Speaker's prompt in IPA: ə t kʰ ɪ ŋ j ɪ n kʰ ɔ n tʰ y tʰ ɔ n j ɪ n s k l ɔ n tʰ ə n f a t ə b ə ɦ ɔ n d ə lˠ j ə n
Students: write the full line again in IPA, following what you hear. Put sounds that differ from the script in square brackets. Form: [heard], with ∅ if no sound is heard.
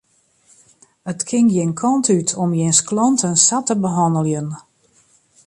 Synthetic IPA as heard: ə t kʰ ɪ ŋ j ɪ n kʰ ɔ n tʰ y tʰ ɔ [m] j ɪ n s k l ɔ n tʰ ə n [s] a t ə b ə ɦ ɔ n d ə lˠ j ə n